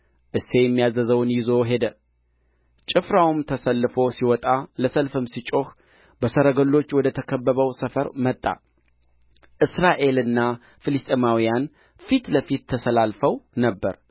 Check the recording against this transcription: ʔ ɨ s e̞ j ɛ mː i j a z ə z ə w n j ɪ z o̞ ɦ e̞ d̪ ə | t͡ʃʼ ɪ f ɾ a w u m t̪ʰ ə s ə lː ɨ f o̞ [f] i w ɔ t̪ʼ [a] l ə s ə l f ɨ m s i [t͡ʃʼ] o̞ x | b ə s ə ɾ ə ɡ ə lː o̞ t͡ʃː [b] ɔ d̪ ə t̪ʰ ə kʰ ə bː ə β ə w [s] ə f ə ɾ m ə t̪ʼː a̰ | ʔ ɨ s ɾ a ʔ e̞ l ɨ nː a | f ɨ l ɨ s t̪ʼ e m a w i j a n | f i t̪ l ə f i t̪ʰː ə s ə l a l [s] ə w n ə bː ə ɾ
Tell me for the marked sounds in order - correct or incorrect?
incorrect: s, correct, correct, incorrect: w, correct, incorrect: f

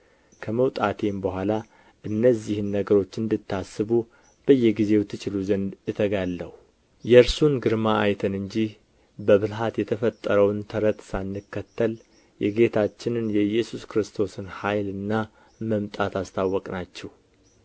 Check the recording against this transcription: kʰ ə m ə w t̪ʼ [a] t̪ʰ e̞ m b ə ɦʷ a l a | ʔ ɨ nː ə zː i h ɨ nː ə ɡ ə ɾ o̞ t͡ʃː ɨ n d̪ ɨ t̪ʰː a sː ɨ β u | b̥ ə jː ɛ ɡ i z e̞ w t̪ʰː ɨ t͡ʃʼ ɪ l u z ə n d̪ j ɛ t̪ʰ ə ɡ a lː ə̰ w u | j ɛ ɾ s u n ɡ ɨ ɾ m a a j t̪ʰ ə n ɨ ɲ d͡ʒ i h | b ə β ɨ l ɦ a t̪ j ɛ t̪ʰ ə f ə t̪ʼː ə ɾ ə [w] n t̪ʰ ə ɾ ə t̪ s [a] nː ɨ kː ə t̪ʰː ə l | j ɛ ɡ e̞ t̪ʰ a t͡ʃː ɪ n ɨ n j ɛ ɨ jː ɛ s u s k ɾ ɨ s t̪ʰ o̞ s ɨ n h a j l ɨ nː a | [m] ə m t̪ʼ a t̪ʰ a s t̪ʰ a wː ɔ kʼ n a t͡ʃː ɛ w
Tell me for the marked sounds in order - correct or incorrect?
correct, correct, correct, correct

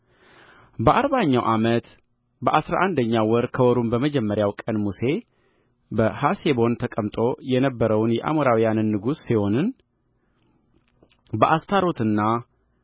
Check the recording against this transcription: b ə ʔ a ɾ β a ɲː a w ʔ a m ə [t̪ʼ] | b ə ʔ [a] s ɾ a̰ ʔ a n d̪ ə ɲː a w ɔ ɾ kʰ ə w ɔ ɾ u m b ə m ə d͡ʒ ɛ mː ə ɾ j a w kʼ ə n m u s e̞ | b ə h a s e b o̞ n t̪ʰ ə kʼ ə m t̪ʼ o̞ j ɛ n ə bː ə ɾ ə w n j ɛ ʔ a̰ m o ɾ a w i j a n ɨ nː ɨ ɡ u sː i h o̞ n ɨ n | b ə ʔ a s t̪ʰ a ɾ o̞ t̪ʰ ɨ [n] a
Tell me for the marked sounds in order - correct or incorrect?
incorrect: t̪, correct, incorrect: nː

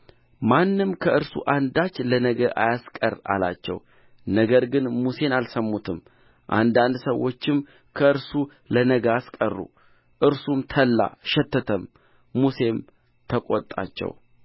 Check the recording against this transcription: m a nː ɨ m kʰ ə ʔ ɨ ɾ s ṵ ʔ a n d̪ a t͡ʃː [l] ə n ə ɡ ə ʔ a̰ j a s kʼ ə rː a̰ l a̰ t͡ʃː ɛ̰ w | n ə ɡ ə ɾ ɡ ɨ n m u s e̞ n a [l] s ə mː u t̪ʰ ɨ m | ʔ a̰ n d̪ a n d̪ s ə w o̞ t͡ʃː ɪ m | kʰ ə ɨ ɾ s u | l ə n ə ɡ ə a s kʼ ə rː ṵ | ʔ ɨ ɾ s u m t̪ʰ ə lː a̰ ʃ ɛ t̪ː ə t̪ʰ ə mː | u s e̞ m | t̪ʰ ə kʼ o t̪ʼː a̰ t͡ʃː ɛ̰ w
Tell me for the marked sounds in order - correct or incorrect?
correct, correct

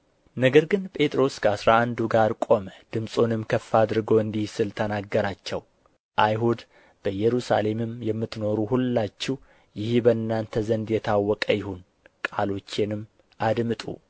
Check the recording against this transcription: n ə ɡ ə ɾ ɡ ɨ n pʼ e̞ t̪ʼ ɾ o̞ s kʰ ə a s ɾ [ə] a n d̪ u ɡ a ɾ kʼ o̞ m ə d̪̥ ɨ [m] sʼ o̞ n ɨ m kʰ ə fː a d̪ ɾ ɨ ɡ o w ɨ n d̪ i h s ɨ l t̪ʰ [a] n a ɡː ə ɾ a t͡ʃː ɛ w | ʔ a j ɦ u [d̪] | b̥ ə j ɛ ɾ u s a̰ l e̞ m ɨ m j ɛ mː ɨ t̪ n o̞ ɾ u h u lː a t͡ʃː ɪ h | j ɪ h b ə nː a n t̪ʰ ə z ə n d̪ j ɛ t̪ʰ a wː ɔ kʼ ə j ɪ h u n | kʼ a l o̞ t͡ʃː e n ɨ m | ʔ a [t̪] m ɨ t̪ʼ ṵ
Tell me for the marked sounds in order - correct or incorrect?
incorrect: a, correct, incorrect: ə, correct, incorrect: d̪

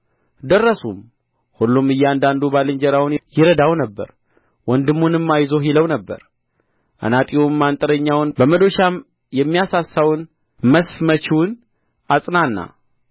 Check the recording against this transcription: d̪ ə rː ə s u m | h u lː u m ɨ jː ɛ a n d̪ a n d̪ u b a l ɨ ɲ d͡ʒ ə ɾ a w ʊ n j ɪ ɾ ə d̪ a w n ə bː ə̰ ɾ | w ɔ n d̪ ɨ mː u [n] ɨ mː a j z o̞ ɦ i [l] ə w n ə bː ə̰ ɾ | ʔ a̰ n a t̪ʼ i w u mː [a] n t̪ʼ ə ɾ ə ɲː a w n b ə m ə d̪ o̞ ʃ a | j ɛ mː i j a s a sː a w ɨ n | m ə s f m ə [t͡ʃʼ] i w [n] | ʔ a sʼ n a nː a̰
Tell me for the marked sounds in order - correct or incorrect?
correct, correct, correct, incorrect: t͡ʃ, correct

